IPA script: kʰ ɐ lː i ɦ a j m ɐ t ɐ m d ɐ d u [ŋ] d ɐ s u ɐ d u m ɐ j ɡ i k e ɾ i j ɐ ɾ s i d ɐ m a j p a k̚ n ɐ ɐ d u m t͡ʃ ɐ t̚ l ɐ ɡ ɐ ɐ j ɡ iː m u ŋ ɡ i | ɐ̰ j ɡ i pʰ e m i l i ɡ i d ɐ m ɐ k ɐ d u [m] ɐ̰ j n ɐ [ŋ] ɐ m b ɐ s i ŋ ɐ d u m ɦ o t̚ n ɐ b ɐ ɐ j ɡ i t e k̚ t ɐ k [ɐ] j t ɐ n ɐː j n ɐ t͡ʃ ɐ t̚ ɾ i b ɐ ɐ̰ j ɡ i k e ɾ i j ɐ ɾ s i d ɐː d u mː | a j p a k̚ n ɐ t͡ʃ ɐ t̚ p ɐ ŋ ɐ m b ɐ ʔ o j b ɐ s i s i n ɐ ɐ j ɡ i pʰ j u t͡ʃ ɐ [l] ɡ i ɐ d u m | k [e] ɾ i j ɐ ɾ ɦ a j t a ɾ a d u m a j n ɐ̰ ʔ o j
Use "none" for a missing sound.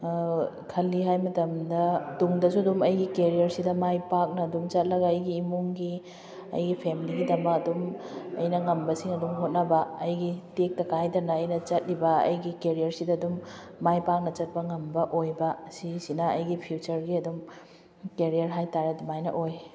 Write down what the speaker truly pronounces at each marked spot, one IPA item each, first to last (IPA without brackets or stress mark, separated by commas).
ŋ, m, ŋ, a, ɾ, e